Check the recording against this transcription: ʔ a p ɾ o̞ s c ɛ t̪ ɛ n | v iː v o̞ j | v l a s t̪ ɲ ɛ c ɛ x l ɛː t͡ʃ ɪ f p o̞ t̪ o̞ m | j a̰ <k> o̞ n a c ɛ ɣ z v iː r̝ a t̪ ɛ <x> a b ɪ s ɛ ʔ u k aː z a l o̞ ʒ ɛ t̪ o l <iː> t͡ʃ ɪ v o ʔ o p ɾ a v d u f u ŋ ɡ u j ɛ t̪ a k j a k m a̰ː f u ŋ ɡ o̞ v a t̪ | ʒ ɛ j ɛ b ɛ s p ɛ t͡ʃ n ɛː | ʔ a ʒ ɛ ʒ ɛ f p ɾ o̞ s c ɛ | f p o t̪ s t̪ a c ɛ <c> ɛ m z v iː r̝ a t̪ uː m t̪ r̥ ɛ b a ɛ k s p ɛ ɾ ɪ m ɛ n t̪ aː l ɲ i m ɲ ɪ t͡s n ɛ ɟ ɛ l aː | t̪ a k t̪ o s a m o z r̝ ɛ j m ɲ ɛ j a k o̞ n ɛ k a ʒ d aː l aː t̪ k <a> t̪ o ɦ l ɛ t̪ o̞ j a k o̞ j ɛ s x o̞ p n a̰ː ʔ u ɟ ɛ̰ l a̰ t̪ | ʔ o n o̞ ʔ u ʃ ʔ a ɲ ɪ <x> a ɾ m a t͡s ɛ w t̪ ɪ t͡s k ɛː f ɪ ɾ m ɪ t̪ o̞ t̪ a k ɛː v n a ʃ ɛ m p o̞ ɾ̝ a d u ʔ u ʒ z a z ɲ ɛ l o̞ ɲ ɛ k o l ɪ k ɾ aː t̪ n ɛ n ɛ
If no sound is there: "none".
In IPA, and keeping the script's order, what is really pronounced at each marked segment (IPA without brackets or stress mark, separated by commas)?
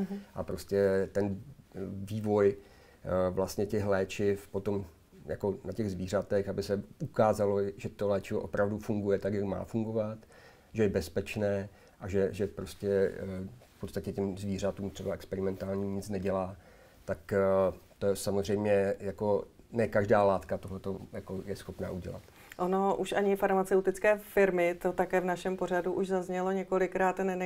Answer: k, x, ɛː, c, a, f